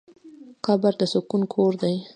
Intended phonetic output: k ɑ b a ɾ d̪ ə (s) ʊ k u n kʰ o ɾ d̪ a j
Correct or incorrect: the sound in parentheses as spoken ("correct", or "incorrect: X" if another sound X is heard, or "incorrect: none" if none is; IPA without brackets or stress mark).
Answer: correct